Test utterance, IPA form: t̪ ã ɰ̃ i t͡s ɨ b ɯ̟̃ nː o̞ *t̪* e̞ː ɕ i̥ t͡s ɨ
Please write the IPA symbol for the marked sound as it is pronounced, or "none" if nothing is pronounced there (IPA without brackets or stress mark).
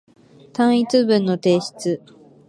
t̪